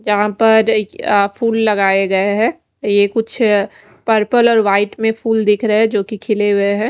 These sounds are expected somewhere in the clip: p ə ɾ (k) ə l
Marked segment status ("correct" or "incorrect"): incorrect